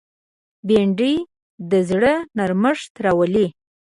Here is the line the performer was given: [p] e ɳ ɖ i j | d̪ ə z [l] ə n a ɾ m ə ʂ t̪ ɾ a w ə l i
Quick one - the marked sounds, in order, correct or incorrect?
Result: incorrect: b, incorrect: ɽ

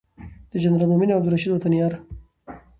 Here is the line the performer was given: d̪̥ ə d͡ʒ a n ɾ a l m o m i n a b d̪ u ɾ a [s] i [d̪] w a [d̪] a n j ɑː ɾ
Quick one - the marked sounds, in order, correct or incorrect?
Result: incorrect: ʃ, correct, incorrect: t̪

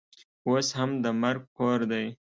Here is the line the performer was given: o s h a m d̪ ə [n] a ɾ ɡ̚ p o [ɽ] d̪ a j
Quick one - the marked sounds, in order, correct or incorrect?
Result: incorrect: m, incorrect: ɾ

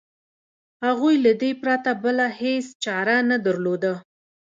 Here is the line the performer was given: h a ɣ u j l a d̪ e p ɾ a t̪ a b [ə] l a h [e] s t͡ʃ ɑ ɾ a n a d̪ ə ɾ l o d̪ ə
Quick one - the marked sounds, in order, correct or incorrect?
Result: correct, correct

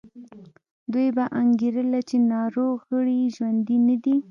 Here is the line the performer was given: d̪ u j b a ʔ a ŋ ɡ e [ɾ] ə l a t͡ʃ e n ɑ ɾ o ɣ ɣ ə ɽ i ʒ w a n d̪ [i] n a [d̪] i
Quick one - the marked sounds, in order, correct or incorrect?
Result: correct, correct, correct

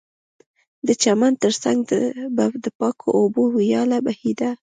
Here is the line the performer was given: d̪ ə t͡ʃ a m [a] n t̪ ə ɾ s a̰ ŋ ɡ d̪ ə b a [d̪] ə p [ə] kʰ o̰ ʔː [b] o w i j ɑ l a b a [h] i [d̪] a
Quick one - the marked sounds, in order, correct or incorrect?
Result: correct, correct, incorrect: ɑ, correct, correct, correct

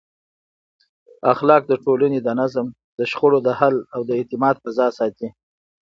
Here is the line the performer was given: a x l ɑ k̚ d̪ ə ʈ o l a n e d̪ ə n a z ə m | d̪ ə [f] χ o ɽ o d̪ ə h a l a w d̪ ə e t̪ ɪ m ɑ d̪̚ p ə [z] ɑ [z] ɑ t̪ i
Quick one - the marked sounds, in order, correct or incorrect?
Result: incorrect: ʃ, correct, incorrect: s

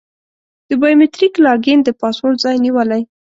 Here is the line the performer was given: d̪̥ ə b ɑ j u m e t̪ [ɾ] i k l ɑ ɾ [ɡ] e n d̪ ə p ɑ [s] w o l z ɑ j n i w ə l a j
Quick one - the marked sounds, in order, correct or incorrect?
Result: correct, correct, correct

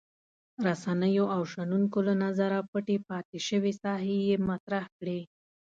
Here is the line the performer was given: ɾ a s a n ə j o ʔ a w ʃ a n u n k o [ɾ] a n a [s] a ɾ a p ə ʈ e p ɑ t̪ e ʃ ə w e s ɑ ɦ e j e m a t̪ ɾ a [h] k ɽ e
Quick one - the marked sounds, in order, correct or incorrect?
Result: incorrect: l, incorrect: z, correct

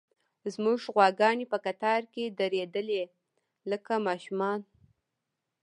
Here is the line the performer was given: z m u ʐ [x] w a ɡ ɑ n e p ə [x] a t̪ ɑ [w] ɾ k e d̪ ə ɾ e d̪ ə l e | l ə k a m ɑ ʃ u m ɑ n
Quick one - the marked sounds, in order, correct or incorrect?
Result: incorrect: ɣ, incorrect: k, incorrect: none

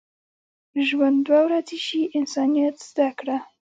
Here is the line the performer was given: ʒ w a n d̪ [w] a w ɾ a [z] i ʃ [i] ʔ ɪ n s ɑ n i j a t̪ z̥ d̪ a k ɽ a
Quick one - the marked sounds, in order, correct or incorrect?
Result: correct, correct, correct

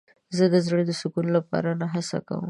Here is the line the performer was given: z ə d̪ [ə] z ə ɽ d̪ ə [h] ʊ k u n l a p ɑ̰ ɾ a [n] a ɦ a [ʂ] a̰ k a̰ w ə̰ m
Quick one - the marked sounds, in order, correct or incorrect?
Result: correct, incorrect: s, correct, incorrect: s

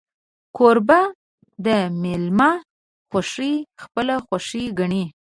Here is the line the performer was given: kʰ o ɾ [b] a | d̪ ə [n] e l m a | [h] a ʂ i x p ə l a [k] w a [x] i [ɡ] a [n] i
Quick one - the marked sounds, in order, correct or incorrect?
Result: correct, incorrect: m, incorrect: x, incorrect: x, incorrect: ʂ, correct, incorrect: ɳ

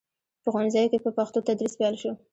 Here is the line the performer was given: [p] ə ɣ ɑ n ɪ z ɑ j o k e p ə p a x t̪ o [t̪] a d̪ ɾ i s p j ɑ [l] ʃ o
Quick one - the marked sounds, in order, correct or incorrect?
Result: correct, correct, correct

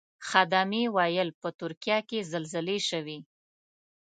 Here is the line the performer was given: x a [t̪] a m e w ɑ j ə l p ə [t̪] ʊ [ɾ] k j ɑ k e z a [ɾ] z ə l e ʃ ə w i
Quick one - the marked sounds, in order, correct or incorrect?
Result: incorrect: d̪, correct, correct, incorrect: l

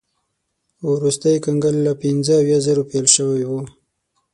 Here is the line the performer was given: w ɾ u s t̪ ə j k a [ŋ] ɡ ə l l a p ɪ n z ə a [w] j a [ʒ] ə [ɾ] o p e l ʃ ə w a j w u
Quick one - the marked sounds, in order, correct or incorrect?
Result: correct, correct, incorrect: z, correct

